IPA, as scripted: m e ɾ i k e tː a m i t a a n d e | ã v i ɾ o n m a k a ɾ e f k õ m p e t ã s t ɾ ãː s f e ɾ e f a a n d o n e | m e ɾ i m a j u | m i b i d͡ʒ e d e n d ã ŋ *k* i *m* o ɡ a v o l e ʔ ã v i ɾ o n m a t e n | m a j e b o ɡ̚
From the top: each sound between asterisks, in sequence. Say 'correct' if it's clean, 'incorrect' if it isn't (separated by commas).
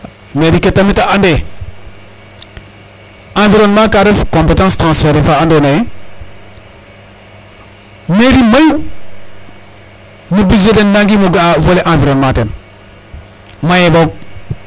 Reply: incorrect, correct